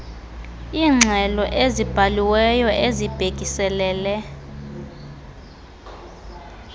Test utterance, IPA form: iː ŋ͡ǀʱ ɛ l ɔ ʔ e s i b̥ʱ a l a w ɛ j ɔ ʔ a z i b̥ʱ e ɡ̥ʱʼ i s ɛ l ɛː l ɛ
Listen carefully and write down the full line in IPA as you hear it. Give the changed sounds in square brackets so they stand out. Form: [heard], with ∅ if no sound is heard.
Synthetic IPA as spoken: iː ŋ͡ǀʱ ɛ l ɔ ʔ e [z] i b̥ʱ a l [i] w ɛ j ɔ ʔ [e] z i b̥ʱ e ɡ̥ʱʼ i s ɛ l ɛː l ɛ